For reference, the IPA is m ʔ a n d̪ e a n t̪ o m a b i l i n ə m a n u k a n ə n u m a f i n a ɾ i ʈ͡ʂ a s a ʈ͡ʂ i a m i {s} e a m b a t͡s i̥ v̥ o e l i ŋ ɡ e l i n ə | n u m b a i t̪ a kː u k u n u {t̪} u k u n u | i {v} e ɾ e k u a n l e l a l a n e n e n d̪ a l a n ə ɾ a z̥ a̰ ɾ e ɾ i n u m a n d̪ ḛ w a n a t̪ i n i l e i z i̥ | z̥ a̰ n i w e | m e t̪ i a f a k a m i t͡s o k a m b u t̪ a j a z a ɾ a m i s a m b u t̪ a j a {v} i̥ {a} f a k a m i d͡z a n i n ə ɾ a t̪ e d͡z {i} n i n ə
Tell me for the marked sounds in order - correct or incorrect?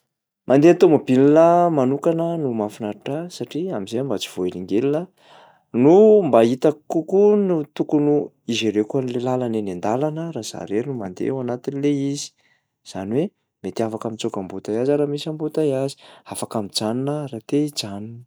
incorrect, correct, incorrect, incorrect, correct, incorrect

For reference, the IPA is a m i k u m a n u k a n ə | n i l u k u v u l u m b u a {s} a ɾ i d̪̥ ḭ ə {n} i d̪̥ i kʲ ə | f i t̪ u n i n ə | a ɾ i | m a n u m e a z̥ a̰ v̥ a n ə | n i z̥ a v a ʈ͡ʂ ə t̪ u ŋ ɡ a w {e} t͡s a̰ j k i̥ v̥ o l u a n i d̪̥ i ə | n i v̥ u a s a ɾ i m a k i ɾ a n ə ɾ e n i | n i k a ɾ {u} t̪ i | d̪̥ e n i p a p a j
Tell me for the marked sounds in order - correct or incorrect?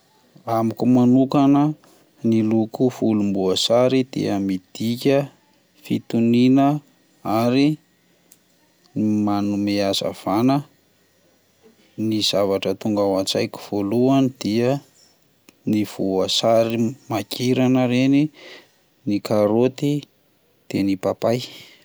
correct, incorrect, incorrect, incorrect

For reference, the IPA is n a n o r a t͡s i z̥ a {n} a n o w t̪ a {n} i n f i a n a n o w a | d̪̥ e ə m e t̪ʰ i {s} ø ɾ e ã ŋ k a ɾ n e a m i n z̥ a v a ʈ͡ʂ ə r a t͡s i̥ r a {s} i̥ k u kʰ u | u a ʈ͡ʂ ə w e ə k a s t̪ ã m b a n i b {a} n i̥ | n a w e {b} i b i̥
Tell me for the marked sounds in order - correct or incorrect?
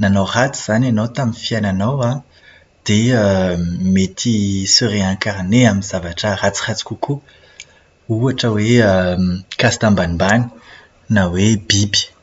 correct, incorrect, correct, incorrect, correct, correct

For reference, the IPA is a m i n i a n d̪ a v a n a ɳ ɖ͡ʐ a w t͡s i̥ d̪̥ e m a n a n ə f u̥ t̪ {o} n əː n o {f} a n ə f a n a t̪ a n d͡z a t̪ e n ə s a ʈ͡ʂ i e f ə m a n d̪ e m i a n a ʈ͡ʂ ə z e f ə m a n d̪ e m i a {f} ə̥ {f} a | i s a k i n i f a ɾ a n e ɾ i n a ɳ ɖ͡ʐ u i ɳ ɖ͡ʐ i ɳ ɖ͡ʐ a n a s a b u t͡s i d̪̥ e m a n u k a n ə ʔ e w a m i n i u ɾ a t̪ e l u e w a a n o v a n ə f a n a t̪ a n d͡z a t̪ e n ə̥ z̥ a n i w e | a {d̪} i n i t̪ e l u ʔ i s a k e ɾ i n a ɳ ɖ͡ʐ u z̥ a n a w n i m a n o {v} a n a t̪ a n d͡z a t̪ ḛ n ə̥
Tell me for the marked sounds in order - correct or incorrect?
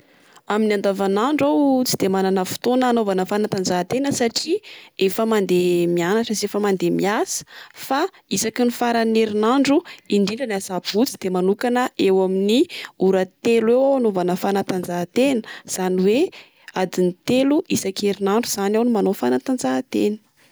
correct, incorrect, incorrect, correct, correct, incorrect

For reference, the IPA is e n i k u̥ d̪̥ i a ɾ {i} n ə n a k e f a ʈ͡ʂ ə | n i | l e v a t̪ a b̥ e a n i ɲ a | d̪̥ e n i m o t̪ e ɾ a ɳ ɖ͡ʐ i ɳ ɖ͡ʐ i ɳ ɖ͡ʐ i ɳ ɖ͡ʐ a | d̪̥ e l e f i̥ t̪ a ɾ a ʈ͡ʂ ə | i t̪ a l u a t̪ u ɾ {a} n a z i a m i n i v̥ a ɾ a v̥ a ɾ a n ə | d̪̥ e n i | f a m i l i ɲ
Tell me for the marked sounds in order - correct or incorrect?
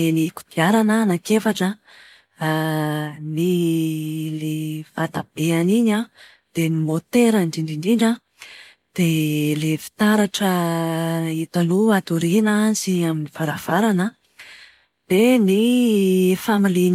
incorrect, incorrect

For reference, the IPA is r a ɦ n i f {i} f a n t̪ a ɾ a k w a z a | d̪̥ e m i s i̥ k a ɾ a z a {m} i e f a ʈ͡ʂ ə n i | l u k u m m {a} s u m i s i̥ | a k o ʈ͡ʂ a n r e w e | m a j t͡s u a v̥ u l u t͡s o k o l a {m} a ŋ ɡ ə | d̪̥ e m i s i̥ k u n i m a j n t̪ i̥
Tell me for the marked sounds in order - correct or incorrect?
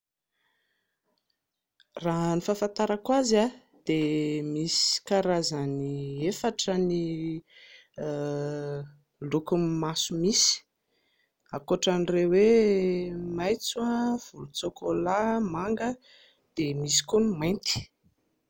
incorrect, incorrect, correct, correct

